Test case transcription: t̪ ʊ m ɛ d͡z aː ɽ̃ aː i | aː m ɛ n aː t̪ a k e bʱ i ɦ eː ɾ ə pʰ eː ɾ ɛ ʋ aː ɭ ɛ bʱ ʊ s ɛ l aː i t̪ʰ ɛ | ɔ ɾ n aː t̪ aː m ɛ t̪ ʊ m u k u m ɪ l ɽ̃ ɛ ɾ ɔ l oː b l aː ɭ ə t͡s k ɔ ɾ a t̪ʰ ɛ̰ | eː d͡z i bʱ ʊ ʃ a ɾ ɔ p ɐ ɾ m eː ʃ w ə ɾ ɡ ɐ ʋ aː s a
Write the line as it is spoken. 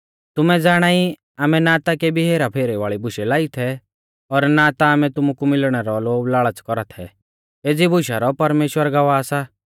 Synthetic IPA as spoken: t̪ ʊ m ɛ d͡z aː ɽ̃ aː i | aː m ɛ n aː t̪ a k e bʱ i ɦ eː ɾ a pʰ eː ɾ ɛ ʋ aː ɭ i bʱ ʊ ʃ ɛ l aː i t̪ʰ ɛ | ɔ ɾ n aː t̪ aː m ɛ t̪ ʊ m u k u m ɪ l ɽ̃ ɛ ɾ ɔ l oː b l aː ɭ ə t͡s k ɔ ɾ a t̪ʰ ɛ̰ | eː d͡z i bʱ ʊ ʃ a ɾ ɔ p ɐ ɾ m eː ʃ w ə ɾ ɡ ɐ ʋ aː s a